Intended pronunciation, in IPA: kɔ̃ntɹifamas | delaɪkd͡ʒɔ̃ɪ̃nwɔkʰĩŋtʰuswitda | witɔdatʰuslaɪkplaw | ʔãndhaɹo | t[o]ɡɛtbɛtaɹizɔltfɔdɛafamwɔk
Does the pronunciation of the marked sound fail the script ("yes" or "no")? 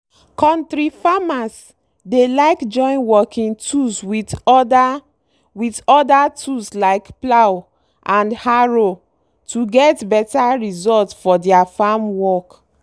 yes